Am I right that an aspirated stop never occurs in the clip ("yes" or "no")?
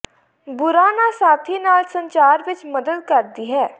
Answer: no